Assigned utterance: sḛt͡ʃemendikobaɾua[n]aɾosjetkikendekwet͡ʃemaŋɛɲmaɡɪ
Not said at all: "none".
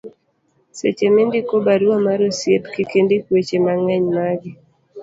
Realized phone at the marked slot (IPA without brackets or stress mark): m